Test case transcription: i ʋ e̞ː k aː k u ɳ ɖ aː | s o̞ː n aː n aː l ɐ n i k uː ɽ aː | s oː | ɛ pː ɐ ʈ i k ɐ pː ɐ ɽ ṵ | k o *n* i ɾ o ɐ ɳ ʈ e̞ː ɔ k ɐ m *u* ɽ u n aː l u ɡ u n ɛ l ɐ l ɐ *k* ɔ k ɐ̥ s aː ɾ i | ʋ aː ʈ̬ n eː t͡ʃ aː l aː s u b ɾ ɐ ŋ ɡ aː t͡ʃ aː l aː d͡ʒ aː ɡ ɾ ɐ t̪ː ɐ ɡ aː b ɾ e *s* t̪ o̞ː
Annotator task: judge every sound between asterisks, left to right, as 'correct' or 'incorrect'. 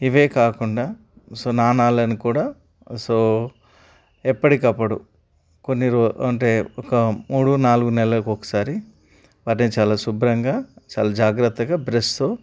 incorrect, incorrect, correct, correct

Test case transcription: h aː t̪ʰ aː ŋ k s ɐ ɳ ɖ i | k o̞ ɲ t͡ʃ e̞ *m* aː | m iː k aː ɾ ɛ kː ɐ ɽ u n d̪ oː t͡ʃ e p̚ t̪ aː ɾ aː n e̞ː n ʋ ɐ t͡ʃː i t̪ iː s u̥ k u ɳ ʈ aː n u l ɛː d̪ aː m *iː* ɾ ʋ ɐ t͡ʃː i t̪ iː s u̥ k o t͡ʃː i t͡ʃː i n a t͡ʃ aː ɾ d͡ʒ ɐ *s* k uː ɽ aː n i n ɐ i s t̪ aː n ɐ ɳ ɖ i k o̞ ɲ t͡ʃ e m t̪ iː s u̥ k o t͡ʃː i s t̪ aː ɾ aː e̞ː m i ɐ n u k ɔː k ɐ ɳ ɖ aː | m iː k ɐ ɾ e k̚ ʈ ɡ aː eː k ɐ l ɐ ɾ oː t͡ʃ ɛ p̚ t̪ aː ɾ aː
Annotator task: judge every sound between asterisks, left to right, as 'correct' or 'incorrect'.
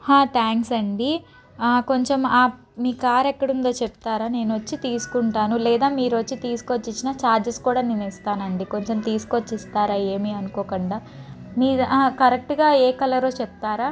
correct, correct, correct

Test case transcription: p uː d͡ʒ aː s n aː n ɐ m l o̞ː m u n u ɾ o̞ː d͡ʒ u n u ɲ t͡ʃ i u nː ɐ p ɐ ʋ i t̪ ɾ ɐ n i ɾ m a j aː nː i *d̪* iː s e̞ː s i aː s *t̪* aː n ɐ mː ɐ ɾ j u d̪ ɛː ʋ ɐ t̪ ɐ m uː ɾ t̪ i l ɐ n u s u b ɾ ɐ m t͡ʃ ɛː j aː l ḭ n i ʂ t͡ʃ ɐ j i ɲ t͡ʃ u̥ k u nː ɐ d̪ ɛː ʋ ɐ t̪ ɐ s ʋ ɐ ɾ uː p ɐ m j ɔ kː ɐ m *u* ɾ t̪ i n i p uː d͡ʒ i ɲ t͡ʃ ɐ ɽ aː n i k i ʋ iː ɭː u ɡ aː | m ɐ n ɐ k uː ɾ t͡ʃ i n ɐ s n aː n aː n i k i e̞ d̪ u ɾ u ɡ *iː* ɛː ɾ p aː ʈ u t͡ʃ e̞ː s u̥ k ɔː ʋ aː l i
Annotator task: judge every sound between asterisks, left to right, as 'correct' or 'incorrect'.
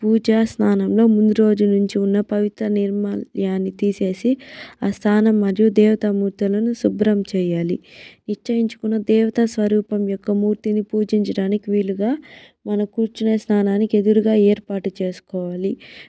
incorrect, incorrect, incorrect, incorrect

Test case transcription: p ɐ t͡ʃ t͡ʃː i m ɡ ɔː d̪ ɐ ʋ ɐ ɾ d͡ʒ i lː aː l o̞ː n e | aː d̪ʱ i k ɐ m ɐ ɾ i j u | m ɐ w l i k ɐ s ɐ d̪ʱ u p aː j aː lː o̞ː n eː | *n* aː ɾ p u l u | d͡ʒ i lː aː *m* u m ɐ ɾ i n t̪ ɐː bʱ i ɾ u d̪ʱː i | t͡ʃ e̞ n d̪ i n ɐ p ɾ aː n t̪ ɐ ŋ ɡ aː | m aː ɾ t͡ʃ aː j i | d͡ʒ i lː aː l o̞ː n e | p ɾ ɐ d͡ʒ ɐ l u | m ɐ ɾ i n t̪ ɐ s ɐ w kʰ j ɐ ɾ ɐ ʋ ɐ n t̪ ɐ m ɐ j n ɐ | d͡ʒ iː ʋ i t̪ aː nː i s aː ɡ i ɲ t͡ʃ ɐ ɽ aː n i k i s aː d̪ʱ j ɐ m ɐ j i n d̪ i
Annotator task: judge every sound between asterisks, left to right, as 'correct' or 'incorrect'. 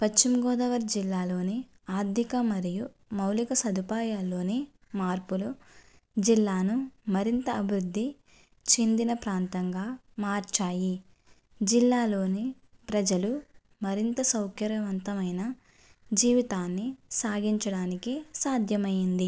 incorrect, incorrect

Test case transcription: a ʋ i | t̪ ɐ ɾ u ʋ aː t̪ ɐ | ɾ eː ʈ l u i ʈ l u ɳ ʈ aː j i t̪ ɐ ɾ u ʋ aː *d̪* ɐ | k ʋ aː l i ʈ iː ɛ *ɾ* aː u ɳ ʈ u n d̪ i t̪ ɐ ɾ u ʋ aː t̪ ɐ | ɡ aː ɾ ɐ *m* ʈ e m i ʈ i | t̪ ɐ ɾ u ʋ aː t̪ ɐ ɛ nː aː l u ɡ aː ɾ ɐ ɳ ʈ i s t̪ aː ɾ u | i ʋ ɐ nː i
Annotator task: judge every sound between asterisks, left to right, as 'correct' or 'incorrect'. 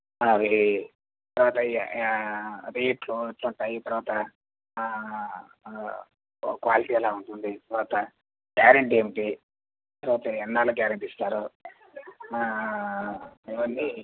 incorrect, incorrect, incorrect

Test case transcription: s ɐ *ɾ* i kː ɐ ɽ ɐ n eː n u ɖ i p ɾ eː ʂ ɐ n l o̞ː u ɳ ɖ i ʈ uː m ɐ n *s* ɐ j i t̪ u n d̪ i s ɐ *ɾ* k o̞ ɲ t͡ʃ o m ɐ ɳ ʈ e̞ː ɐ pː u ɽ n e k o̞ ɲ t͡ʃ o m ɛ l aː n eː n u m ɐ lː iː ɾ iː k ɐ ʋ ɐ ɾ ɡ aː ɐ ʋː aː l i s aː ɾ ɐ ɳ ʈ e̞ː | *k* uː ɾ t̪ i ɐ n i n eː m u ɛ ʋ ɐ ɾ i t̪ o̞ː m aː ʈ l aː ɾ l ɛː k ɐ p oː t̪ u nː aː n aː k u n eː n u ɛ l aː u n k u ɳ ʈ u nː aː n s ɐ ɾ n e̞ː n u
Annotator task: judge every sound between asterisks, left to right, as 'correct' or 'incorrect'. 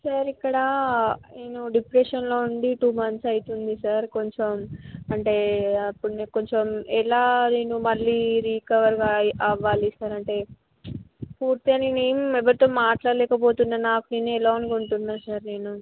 correct, correct, correct, incorrect

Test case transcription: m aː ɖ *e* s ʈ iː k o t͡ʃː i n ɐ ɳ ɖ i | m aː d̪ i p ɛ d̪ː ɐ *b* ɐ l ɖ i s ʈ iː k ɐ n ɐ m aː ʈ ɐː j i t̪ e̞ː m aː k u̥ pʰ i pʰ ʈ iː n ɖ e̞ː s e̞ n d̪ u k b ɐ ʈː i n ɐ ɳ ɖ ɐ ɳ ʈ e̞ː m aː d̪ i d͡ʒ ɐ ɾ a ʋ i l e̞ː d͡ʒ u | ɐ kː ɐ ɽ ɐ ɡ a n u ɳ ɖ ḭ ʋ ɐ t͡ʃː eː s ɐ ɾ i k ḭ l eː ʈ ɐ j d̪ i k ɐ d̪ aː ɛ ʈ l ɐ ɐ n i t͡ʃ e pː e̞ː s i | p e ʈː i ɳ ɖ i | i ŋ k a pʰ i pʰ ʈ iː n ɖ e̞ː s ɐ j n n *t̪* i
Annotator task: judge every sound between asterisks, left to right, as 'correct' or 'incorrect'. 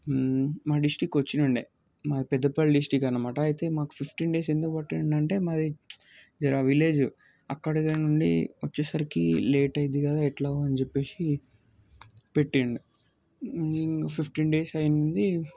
incorrect, incorrect, incorrect

